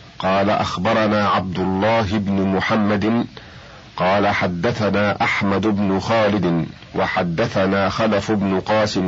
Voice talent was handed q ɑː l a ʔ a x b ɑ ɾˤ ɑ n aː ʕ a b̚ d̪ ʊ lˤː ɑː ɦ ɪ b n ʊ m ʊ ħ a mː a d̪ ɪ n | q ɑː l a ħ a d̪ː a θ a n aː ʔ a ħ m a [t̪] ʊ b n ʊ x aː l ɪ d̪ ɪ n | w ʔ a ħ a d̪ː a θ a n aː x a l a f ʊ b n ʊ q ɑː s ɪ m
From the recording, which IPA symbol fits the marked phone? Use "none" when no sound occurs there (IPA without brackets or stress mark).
d̪